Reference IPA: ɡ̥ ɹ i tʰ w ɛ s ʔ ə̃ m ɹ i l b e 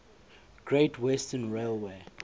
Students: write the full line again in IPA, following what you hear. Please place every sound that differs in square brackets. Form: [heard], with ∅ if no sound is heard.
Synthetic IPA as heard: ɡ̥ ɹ [e] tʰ w ɛ s [t] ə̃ [n] ɹ [e] l [w] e